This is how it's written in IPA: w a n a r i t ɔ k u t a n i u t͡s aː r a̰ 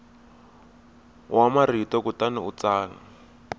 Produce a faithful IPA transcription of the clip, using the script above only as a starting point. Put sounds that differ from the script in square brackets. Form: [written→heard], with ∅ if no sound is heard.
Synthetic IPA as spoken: w a [n→m] a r i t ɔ k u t a n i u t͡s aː [r→l] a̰

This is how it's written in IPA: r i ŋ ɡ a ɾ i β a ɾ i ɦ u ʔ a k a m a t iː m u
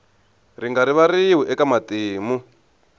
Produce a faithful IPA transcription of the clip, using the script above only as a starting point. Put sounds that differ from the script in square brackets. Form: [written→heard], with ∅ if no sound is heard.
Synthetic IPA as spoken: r i ŋ ɡ a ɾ i β a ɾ i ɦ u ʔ [a→ɛ] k a m a t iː m u

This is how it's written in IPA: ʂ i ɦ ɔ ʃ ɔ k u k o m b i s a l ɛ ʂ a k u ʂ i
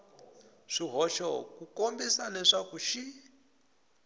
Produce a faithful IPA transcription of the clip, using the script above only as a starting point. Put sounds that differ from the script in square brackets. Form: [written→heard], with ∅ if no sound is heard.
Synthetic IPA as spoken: ʂ i ɦ ɔ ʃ ɔ k u k o m b i s a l ɛ ʂ a k u [ʂ→ʃ] i

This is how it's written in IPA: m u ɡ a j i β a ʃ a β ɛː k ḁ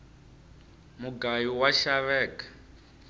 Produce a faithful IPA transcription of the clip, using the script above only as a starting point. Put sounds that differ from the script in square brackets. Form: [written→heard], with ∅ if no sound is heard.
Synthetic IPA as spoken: m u ɡ a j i [β→w] a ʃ a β ɛː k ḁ

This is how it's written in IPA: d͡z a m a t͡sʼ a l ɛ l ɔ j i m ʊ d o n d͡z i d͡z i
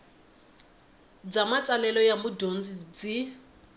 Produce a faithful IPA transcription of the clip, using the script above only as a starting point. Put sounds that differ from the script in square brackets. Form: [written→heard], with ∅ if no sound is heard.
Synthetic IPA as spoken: d͡z a m a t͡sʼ a l ɛ l ɔ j [i→a] m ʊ d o n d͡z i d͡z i

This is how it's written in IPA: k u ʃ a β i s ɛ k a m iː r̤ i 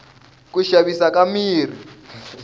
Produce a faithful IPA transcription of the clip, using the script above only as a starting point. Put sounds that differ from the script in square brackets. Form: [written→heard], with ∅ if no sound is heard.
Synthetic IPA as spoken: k u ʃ a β i s [ɛ→a] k a m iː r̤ i

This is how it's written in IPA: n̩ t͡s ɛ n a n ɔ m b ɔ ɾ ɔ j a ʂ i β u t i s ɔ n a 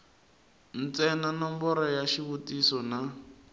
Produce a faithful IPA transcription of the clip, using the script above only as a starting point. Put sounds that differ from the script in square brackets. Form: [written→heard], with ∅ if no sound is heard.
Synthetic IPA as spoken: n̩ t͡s ɛ n a n ɔ m b ɔ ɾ ɔ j a [ʂ→ʃ] i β u t i s ɔ n a

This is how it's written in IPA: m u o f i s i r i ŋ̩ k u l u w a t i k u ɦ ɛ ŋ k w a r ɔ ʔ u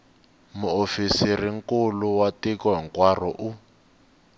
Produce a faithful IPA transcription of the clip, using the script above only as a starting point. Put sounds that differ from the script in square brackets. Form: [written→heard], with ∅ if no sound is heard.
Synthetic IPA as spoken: m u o f i s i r i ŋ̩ k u l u w a t i k [u→ɔ] ɦ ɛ ŋ k w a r ɔ ʔ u

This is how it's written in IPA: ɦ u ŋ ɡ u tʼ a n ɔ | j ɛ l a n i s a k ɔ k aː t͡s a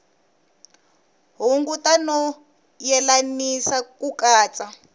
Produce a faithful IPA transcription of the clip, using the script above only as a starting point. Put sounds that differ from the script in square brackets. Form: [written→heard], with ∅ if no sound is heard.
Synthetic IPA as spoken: ɦ u ŋ ɡ u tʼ a n ɔ | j ɛ l a n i s a k [ɔ→u] k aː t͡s a

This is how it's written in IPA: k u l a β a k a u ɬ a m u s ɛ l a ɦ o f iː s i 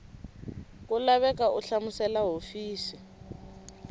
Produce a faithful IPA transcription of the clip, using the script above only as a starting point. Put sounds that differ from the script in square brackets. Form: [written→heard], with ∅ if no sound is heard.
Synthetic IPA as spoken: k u l a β [a→ɛ] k a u ɬ a m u s ɛ l a ɦ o f iː s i

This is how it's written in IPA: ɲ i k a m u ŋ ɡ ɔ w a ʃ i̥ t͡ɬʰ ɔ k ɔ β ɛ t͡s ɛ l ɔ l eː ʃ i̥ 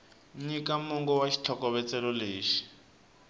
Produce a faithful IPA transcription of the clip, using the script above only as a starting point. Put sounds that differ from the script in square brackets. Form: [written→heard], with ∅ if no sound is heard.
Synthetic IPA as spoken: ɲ i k a m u ŋ ɡ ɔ w a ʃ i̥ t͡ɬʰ ɔ k ɔ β ɛ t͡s ɛ l ɔ l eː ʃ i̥

